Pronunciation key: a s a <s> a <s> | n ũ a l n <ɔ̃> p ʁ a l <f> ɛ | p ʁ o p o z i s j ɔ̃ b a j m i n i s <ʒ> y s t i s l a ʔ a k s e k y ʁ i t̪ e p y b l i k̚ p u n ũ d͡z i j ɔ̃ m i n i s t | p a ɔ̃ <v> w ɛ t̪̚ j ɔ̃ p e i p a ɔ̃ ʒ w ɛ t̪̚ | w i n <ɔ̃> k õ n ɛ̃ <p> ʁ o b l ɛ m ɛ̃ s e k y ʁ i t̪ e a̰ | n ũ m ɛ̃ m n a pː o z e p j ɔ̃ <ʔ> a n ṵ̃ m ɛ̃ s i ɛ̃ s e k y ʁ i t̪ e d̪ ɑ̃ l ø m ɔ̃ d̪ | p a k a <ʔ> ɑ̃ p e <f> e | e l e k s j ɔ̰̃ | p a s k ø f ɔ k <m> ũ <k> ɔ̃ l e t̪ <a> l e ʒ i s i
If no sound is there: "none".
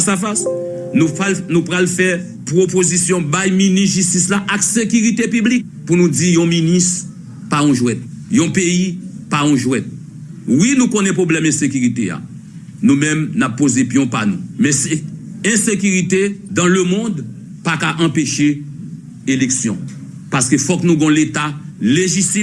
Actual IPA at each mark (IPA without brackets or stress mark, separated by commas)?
f, s, ũ, f, ʒ, ʒ, ũ, p, p, ʔ, ʃ, n, ɡ, a